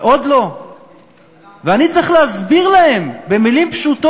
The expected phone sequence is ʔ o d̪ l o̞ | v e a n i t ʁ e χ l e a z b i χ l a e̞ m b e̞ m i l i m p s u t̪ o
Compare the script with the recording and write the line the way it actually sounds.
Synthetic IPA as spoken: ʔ o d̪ l o̞ | v e a n i t͡s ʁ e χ l e a z b i ʁ l a e̞ m b e̞ m i l i m p ʃ u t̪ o